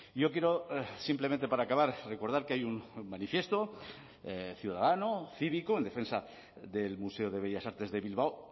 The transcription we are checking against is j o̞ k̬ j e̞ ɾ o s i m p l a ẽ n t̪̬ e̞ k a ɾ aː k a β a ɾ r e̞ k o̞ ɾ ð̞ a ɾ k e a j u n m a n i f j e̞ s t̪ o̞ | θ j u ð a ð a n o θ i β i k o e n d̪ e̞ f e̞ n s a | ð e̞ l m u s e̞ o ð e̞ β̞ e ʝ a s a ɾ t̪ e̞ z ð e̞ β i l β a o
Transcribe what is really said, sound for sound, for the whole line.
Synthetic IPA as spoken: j o̞ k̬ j e̞ ɾ o s i m p l e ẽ n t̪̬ e̞ p a ɾ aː k a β a ɾ r e̞ k o̞ ɾ ð̞ a ɾ k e a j u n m a n i f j e̞ s t̪ o̞ | θ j u ð a ð a n o θ i β i k o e n d̪ e̞ f e̞ n s a | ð e̞ l m u s e̞ o ð e̞ β̞ e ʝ a s a ɾ t̪ e̞ z ð e̞ β i l β a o